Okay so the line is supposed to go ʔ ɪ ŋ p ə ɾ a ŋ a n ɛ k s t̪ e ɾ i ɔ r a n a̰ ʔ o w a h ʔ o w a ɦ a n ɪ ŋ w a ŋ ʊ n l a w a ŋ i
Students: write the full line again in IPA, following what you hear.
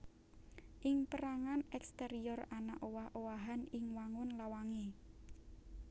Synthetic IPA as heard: ʔ ɪ ŋ p ə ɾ a ŋ a n ɛ k s t̪ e ɾ i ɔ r a n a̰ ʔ o w a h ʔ o w a ɦ a n ɪ ŋ w a ŋ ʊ n l a w a ŋ e